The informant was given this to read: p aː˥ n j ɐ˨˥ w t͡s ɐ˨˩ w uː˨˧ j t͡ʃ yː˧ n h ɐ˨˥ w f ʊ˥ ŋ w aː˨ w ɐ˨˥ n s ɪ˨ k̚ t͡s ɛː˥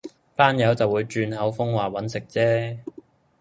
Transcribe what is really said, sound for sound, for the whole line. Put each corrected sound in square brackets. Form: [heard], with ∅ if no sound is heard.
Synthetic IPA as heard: p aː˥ n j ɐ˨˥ w t͡s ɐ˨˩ w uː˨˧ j t͡ʃ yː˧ n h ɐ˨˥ w f ʊ˥ ŋ w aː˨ w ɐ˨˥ n s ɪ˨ k̚ t͡s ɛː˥